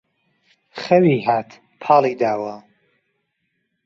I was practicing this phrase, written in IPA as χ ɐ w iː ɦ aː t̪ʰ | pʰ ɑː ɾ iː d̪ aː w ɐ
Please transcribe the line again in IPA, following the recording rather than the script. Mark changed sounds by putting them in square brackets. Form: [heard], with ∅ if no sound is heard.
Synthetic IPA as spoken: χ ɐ w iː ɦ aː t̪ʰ | pʰ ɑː [l] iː d̪ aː w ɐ